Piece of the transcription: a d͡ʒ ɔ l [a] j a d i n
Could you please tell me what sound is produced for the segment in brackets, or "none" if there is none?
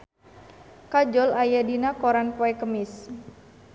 a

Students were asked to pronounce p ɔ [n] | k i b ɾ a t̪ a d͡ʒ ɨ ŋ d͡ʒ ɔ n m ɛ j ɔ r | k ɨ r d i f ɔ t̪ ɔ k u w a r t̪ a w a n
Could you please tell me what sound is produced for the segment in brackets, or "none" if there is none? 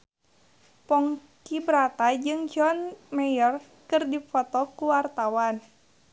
ŋ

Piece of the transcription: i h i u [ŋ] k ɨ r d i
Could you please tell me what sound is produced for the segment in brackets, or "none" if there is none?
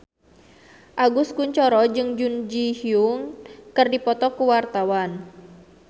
ŋ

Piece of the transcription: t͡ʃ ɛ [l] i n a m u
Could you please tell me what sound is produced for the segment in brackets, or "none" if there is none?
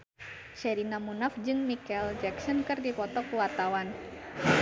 ɾ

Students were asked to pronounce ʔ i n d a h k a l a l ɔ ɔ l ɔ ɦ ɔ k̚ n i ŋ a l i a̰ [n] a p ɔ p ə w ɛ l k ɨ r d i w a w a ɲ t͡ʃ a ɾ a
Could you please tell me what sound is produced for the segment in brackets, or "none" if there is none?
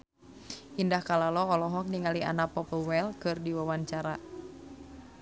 n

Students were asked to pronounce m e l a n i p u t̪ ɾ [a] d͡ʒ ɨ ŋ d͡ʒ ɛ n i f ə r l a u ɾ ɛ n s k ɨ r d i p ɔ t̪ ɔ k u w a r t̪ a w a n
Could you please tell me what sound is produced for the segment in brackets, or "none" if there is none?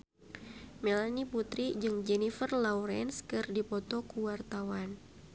i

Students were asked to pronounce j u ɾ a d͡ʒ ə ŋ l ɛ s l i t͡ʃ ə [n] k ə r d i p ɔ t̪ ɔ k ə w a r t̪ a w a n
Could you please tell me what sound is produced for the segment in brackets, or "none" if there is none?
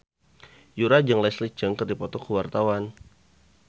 ŋ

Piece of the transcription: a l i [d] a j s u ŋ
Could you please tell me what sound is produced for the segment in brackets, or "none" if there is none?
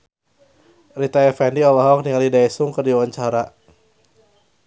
d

